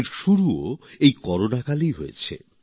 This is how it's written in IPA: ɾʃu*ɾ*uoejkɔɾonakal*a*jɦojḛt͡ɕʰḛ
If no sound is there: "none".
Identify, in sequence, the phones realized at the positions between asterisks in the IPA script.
ɾ, i

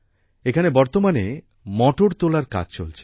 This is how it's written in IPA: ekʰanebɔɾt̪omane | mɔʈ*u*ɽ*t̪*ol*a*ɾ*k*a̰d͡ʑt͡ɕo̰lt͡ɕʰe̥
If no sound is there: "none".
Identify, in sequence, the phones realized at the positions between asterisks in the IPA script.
o, t̪, a, k

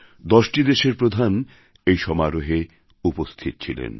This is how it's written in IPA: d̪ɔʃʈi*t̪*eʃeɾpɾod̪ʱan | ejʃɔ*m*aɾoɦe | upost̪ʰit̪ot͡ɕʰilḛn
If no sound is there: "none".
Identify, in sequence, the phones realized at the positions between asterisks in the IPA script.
d̪, m

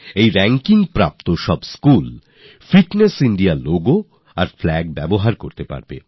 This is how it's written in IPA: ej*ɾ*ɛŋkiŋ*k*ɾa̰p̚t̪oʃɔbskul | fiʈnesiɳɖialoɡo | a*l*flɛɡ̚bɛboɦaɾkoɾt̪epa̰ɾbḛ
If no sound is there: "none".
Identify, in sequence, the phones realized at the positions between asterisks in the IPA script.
ɾ, p, ɾ

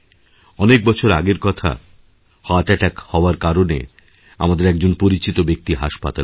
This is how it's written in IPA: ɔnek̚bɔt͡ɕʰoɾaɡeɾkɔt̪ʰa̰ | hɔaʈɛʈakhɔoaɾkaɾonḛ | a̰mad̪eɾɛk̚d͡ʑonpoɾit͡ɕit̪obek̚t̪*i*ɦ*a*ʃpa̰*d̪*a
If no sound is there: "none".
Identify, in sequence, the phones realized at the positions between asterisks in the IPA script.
i, a, t̪

